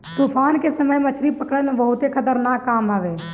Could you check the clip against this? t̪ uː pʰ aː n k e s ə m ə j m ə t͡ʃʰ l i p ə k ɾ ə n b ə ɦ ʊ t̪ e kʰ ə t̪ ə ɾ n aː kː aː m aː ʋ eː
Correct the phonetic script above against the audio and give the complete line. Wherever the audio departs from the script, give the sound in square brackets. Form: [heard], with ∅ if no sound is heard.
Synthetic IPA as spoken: t̪ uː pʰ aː n k e s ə m ə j m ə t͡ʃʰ [ɾ] i p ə k [ɽ] ə n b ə ɦ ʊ t̪ e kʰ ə t̪ ə ɾ n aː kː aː m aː ʋ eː